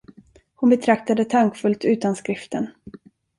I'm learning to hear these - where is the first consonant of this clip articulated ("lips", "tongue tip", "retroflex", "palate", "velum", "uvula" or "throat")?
throat